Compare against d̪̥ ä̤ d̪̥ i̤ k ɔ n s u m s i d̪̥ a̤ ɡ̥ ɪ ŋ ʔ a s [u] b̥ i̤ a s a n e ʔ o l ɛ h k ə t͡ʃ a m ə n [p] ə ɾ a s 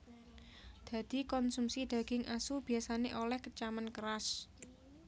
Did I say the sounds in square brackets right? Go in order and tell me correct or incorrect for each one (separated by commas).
correct, incorrect